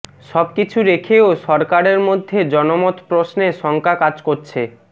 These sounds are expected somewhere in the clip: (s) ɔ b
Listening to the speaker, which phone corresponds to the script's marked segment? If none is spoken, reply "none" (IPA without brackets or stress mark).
ʃ